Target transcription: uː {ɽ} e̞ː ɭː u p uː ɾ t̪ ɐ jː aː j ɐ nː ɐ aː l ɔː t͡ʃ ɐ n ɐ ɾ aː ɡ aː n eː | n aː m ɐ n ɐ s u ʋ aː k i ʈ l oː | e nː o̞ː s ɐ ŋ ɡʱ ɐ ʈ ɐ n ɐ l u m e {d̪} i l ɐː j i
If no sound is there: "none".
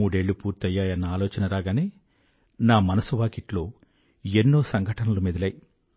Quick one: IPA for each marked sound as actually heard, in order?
ɽ, d̪

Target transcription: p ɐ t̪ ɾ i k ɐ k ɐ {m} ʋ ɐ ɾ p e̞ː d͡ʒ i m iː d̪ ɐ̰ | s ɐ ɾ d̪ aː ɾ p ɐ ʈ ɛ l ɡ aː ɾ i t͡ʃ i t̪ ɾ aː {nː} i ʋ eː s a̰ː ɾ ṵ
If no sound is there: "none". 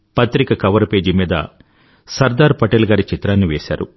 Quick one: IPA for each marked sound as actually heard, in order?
none, nː

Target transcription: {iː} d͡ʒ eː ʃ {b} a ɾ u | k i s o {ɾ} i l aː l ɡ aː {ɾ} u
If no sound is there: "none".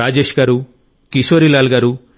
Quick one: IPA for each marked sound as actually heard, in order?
aː, ɡ, ɾ, ɾ

